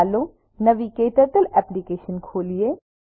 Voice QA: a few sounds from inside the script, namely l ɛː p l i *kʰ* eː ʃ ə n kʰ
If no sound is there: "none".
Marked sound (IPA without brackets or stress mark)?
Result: k